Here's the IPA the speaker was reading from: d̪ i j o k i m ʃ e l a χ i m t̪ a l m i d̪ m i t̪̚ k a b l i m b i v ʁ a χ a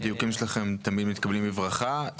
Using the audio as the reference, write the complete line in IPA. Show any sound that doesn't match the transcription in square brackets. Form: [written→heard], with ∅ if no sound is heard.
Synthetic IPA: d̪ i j [o→u] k i m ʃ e l a χ [i→e] m t̪ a [l→∅] m i d̪ m i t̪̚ k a b l i m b i v ʁ a χ a